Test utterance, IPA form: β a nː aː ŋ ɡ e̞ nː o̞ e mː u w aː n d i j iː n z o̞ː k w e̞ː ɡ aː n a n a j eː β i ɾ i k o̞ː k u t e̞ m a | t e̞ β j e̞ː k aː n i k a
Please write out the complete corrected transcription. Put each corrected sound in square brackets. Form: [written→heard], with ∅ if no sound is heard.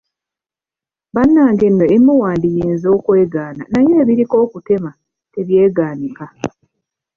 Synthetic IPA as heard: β a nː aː ŋ ɡ e̞ nː o̞ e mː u w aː n d i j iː n z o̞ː k w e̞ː ɡ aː n a n a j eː β i ɾ i k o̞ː k u t e̞ m a | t e̞ β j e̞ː [k→ɡ] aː n i k a